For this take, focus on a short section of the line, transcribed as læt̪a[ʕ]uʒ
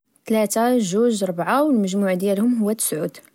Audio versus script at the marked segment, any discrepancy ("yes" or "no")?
yes